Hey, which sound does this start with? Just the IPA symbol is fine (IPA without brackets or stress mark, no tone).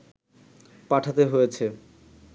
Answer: p